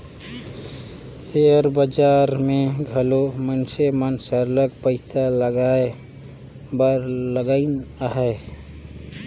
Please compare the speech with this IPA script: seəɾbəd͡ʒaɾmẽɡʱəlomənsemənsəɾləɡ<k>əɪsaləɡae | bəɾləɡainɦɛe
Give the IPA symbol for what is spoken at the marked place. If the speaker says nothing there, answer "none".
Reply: p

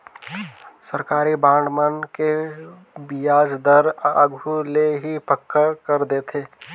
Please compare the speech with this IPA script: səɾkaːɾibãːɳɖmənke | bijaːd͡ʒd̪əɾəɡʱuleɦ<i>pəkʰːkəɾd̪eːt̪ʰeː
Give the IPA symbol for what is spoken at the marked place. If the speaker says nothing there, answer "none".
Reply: i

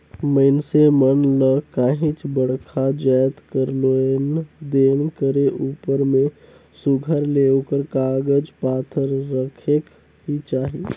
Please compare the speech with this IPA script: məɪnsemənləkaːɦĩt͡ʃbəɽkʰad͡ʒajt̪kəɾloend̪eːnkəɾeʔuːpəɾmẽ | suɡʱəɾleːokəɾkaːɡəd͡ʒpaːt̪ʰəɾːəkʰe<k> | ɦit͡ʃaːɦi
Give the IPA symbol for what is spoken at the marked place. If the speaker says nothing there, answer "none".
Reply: k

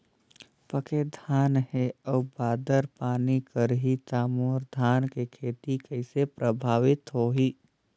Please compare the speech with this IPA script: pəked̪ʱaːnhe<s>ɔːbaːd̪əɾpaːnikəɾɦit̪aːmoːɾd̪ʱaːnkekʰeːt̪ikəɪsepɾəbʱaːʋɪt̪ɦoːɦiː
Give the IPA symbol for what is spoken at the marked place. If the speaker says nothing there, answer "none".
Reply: none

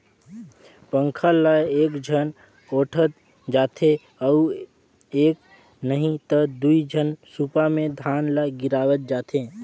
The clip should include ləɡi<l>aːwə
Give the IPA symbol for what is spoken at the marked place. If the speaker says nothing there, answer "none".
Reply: ɾ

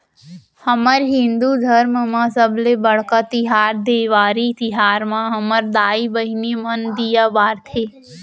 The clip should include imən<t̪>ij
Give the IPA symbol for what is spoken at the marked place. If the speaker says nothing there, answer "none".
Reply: d̪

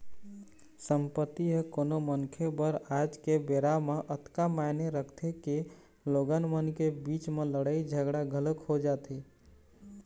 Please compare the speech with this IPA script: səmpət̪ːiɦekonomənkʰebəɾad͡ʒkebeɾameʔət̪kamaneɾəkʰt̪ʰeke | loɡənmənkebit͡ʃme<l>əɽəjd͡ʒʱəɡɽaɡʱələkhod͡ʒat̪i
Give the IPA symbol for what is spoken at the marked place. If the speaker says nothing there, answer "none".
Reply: l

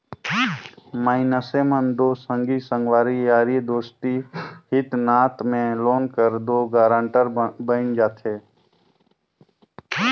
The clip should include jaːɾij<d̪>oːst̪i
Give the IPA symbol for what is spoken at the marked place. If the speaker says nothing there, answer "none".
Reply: d̪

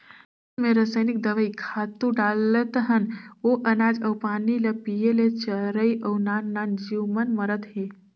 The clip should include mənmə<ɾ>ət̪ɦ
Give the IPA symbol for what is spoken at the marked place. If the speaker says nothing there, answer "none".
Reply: ɾ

